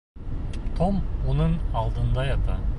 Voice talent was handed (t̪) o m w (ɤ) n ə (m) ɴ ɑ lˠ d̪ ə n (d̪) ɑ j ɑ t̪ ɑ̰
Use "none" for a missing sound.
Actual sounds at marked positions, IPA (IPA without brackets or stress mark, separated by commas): t̪ʰ, o, none, d̪